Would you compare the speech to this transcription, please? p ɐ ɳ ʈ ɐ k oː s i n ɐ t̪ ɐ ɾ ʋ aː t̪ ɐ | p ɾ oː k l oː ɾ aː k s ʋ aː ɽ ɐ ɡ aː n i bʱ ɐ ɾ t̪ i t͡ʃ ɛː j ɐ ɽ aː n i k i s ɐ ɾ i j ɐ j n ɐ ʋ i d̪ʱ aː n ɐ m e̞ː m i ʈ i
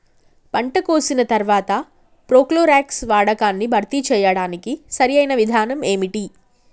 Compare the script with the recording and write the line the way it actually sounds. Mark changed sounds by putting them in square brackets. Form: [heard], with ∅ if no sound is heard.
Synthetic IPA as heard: p ɐ ɳ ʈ ɐ k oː s i n ɐ t̪ ɐ ɾ ʋ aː t̪ ɐ | p ɾ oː k l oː ɾ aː k s ʋ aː ɽ ɐ [k] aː [nː] i bʱ ɐ ɾ t̪ i t͡ʃ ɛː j ɐ ɽ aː n i k i s ɐ ɾ i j ɐ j n ɐ ʋ i d̪ʱ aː n ɐ m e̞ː m i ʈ i